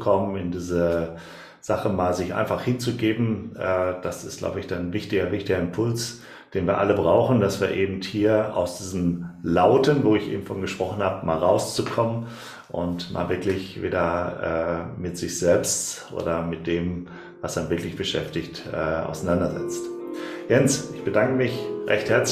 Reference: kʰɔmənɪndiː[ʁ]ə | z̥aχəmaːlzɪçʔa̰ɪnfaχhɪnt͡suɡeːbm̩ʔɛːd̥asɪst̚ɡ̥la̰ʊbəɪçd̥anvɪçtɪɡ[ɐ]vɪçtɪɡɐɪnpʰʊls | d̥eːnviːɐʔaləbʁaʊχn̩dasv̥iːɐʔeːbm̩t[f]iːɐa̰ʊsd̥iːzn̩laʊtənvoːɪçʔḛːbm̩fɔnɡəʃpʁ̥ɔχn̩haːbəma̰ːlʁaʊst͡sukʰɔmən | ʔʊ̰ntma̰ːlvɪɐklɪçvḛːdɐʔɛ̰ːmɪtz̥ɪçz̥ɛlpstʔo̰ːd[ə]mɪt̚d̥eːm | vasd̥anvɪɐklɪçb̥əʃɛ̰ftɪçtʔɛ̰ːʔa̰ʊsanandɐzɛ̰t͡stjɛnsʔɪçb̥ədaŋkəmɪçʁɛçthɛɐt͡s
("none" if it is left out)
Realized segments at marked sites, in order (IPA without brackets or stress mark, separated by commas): z, ɐ, h, ɐ